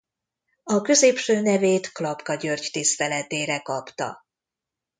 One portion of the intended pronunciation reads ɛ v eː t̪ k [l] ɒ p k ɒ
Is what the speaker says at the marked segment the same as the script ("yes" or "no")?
yes